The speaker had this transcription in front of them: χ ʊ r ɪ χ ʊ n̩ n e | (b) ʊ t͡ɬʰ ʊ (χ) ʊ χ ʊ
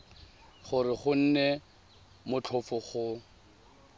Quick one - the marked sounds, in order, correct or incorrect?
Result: incorrect, incorrect

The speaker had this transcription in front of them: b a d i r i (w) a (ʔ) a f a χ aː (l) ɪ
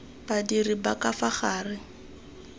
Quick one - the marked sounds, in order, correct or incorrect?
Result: incorrect, incorrect, incorrect

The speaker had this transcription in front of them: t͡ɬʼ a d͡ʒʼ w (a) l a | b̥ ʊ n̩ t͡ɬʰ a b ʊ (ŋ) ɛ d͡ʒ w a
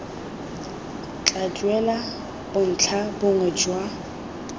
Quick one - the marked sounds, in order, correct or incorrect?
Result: incorrect, correct

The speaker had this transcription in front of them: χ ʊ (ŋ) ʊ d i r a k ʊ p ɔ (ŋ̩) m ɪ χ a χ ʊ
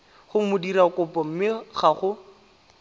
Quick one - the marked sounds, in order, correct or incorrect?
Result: incorrect, incorrect

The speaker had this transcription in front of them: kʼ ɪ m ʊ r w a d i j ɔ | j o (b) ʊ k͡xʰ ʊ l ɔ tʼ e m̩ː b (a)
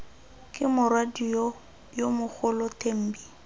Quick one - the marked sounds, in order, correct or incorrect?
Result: incorrect, incorrect

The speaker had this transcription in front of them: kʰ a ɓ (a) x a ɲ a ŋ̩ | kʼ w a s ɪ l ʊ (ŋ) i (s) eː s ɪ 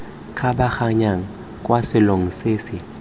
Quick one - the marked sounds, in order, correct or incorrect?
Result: correct, correct, correct

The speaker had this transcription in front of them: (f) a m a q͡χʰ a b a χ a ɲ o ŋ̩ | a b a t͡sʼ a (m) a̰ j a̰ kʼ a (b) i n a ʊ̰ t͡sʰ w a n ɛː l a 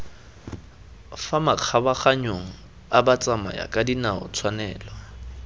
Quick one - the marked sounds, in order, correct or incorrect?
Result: correct, correct, incorrect

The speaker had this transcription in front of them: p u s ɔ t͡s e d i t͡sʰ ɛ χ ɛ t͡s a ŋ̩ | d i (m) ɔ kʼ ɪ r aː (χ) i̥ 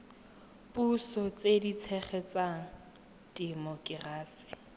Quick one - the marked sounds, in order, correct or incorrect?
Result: correct, incorrect

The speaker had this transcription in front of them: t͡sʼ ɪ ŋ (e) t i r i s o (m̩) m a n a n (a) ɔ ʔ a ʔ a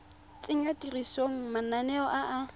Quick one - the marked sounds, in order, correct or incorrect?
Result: incorrect, incorrect, incorrect

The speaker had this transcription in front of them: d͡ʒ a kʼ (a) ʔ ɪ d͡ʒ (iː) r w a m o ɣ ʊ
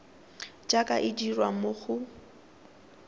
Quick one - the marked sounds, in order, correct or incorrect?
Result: correct, incorrect

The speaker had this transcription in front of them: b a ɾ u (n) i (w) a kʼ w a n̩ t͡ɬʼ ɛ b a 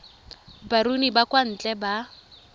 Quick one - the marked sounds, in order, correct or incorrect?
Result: correct, incorrect

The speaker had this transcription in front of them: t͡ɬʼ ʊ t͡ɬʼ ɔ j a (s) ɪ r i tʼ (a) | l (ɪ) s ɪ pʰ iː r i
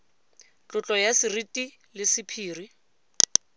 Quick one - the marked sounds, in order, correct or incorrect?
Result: correct, incorrect, correct

